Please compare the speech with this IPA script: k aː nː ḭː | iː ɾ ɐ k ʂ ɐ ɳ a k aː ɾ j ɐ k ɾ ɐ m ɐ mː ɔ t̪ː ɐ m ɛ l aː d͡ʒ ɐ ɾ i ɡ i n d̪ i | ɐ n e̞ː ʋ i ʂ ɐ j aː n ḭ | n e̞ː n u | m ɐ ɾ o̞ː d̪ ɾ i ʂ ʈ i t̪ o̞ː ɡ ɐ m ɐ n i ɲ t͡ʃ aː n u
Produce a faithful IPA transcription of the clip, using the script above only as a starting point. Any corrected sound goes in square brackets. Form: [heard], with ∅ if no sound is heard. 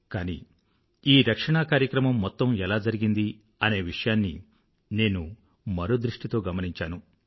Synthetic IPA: k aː [n] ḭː | iː ɾ ɐ k ʂ ɐ ɳ a k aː ɾ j ɐ k ɾ ɐ m ɐ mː ɔ t̪ː ɐ m ɛ l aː d͡ʒ ɐ ɾ i ɡ i n d̪ i | ɐ n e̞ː ʋ i ʂ ɐ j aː [nː] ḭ | n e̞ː n u | m ɐ ɾ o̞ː d̪ ɾ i ʂ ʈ i t̪ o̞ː ɡ ɐ m ɐ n i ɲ t͡ʃ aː n u

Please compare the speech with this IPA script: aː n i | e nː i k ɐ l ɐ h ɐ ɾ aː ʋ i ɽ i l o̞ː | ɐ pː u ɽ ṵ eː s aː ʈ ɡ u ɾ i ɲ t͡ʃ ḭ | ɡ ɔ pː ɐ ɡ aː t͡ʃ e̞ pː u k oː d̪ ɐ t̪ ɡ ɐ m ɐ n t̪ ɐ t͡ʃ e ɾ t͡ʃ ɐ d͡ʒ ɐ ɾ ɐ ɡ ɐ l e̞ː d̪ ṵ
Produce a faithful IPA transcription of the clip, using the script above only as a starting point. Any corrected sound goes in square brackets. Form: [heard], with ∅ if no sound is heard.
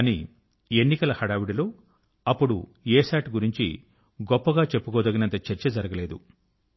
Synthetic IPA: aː n i | e nː i k ɐ l ɐ h ɐ [ɽ] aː ʋ i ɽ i l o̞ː | ɐ pː u ɽ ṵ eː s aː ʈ ɡ u ɾ i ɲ t͡ʃ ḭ | ɡ ɔ pː ɐ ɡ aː t͡ʃ e̞ pː u k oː d̪ ɐ [∅] ɡ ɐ [n] ɐ n t̪ ɐ t͡ʃ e ɾ t͡ʃ ɐ d͡ʒ ɐ ɾ ɐ ɡ ɐ l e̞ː d̪ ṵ

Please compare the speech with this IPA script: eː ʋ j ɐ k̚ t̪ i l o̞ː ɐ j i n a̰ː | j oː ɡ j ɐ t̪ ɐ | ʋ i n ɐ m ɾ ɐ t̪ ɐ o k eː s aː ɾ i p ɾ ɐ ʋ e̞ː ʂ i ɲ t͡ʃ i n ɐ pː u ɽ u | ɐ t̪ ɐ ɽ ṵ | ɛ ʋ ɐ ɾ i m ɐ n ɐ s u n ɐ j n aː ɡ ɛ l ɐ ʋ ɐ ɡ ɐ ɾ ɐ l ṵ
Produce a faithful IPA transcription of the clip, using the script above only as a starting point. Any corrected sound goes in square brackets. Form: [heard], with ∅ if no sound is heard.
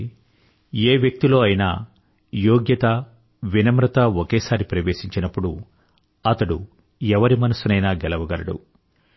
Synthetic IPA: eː ʋ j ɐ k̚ t̪ i l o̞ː ɐ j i n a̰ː | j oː ɡ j ɐ t̪ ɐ | ʋ i n ɐ m ɾ ɐ t̪ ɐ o k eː s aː ɾ i p ɾ ɐ ʋ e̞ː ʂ i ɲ t͡ʃ i n ɐ pː u ɽ u | ɐ t̪ ɐ ɽ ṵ | ɛ ʋ ɐ ɾ i m ɐ n ɐ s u n ɐ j n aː ɡ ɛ l ɐ ʋ ɐ ɡ ɐ ɾ ɐ [ɽ] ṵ

